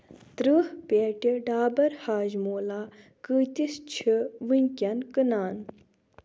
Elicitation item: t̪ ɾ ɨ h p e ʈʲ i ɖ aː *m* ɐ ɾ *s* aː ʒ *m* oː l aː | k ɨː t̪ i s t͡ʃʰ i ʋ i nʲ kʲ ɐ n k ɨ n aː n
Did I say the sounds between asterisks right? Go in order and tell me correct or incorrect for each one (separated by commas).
incorrect, incorrect, correct